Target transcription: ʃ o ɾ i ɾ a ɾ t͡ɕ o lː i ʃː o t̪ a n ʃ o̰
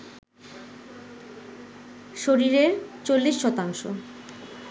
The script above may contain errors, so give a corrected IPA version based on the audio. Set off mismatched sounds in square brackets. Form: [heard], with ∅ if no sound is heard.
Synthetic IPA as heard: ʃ o ɾ i ɾ [e] ɾ t͡ɕ o lː i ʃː [ɔ] t̪ a [ŋ] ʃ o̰

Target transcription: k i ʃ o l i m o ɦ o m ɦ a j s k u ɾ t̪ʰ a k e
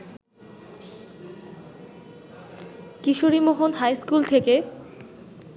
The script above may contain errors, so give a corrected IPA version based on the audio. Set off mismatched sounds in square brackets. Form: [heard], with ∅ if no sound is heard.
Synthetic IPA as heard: k i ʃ o [ɾ] i m o ɦ o [n] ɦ a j s k u [l] t̪ʰ [e] k e

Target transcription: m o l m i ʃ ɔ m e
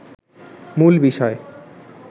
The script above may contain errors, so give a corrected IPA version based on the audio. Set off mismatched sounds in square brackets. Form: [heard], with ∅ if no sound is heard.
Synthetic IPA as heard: m [u] l [b] i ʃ ɔ [∅] e

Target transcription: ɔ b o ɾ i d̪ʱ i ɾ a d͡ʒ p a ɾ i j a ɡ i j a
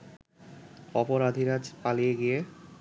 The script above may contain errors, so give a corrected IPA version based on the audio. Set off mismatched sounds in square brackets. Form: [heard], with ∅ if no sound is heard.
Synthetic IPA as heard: ɔ [p] o ɾ [a] d̪ʱ i ɾ a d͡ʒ p a [l] i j [e] ɡ i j [e]

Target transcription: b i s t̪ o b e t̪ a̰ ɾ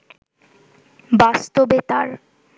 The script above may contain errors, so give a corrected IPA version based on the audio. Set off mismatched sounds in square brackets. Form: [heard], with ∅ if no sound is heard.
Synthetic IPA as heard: b [a] s t̪ o b e t̪ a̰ ɾ

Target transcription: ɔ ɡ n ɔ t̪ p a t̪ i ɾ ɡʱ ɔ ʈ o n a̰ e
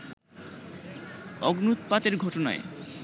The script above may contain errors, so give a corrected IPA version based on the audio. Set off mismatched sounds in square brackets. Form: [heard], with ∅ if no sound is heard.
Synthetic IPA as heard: ɔ ɡ n [u] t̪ p a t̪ [e] ɾ ɡʱ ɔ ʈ o n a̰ e

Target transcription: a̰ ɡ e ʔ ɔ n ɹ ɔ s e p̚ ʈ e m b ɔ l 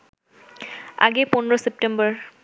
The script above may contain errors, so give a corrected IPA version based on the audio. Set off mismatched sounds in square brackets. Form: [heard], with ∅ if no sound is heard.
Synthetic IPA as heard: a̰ ɡ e [p] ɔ n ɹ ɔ s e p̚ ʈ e m b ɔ [ɹ]

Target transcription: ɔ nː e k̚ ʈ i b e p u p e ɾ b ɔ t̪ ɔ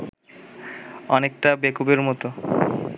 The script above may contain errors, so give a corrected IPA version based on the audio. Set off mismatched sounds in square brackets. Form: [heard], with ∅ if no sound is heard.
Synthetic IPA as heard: ɔ [n] e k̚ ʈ [a] b e [k] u [b] e ɾ [m] ɔ t̪ [o]

